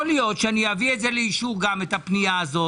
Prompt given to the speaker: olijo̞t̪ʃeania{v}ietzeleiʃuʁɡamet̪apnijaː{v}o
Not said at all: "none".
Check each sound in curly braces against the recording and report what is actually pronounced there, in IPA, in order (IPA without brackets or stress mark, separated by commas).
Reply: v, z